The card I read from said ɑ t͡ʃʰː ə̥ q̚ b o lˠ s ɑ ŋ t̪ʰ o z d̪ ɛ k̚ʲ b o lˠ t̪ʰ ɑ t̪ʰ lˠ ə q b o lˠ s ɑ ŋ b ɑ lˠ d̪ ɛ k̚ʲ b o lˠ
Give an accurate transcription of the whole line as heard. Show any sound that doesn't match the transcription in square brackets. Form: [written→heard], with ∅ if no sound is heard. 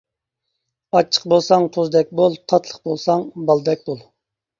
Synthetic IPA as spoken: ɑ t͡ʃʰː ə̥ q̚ b o lˠ s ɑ ŋ t̪ʰ o z d̪ ɛ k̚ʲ b o lˠ t̪ʰ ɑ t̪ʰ lˠ ə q b o lˠ s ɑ ŋ b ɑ lˠ d̪ ɛ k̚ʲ b o lˠ